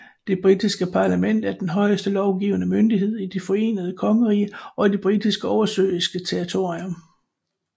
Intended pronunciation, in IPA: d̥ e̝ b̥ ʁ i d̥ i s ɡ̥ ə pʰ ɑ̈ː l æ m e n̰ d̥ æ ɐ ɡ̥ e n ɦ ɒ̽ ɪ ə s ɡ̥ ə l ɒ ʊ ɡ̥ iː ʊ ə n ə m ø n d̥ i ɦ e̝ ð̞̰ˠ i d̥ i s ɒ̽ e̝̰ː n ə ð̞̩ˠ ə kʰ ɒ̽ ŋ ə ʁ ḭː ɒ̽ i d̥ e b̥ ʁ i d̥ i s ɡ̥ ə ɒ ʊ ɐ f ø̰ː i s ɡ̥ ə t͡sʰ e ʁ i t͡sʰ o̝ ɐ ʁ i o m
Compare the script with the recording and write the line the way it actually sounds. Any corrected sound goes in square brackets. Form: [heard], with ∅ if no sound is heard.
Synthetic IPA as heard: d̥ e̝ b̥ ʁ i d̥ i s ɡ̥ ə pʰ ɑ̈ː l æ m e n̰ d̥ æ ɐ [d̥] e n ɦ ɒ̽ ɪ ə s [d̥] ə l ɒ ʊ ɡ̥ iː ʊ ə n ə m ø n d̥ i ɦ e̝ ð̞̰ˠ i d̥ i [f] ɒ̽ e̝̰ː n ə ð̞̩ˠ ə kʰ ɒ̽ ŋ ə ʁ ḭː ɒ̽ i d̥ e b̥ ʁ i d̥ i s ɡ̥ ə ɒ ʊ ɐ [s] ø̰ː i s ɡ̥ ə t͡sʰ e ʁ i t͡sʰ o̝ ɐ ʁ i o m